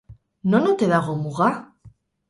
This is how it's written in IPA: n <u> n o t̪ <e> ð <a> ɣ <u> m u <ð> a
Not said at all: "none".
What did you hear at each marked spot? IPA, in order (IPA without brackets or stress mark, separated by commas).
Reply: o, e, a, o, ɣ